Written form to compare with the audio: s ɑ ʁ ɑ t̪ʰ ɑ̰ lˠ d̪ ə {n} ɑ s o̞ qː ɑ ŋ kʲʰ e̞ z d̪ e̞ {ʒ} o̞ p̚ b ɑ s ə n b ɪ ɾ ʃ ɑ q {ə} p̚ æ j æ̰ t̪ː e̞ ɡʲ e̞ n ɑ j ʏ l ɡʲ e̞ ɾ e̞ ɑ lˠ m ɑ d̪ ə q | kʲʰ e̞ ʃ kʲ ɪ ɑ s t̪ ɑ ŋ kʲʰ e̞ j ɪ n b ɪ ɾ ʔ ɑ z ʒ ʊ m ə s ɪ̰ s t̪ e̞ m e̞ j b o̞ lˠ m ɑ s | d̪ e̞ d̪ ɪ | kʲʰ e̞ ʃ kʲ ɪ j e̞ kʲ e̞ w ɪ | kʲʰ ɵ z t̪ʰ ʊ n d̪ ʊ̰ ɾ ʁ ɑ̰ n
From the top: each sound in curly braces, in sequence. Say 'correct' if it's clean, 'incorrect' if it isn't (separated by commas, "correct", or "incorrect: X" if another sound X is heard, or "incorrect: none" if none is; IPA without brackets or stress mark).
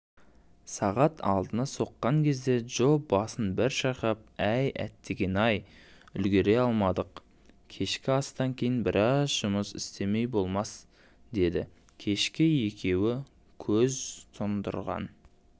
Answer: correct, correct, incorrect: ɑ